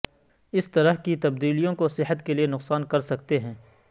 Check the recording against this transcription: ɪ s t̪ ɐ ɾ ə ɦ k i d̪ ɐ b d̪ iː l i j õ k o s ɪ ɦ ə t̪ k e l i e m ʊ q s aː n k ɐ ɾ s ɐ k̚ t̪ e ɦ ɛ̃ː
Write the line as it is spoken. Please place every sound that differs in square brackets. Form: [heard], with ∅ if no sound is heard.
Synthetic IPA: ɪ s t̪ ɐ ɾ ə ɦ k i [t̪] ɐ b d̪ iː l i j õ k o s ɪ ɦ ə t̪ k e l i e [n] ʊ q s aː n k ɐ ɾ s ɐ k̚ t̪ e ɦ ɛ̃ː